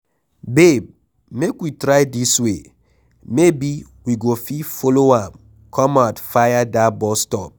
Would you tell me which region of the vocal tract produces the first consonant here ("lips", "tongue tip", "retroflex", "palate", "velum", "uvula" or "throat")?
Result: lips